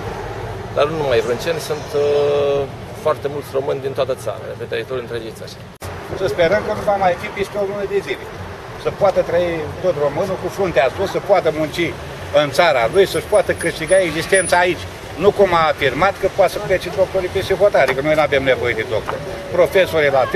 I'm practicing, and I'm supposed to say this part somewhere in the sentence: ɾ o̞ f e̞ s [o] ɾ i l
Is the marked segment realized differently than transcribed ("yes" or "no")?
no